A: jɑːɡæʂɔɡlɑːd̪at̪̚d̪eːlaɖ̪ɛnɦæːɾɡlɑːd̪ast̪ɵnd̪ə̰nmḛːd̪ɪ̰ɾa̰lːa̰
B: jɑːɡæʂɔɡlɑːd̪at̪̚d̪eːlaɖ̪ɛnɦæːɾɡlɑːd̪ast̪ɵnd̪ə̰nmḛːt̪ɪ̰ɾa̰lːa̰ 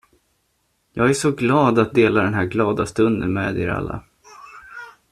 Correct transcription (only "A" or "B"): A